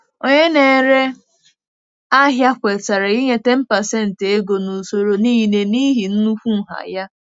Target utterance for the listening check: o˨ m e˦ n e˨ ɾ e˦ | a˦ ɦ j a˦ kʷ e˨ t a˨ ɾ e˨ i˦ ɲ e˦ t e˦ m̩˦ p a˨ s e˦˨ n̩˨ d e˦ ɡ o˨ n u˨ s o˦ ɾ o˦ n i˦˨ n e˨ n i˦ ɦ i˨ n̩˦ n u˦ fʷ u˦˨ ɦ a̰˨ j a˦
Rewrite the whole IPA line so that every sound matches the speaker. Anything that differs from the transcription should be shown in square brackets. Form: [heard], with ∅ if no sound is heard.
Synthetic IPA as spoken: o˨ [ɲ] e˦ n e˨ ɾ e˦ | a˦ ɦ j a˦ kʷ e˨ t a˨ ɾ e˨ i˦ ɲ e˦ t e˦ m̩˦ p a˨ s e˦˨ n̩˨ [t] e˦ ɡ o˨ n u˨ s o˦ ɾ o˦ n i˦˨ n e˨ n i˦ ɦ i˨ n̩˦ n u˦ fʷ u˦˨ ɦ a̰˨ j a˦